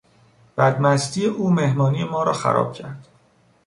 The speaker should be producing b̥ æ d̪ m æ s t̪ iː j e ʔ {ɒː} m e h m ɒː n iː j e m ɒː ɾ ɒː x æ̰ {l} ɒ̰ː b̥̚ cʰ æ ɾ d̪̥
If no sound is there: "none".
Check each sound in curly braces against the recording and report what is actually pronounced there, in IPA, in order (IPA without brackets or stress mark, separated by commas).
uː, ɾ